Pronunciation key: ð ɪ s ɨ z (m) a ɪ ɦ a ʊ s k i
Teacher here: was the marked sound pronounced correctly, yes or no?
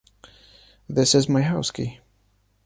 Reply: yes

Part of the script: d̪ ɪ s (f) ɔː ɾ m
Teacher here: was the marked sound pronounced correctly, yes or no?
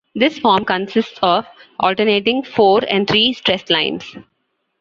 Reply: yes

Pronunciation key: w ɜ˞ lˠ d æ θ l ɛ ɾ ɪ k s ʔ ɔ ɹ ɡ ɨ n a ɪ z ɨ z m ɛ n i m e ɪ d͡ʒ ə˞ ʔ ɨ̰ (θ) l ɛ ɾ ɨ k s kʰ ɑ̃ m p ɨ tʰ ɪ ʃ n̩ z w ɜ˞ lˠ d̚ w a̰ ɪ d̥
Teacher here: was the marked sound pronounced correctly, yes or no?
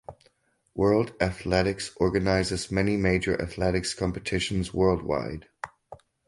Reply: yes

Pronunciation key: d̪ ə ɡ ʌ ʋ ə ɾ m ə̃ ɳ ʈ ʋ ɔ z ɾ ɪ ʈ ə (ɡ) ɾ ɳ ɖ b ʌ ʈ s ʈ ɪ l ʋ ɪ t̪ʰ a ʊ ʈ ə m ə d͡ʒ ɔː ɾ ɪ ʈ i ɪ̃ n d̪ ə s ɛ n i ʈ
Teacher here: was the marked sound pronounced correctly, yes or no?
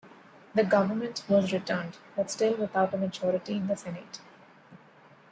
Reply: no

